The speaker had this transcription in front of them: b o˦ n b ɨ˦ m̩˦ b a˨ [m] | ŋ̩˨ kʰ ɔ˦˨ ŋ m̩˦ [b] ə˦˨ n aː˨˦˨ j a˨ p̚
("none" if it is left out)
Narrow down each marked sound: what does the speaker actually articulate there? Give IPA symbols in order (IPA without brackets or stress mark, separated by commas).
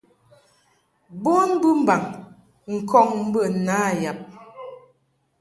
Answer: ŋ, b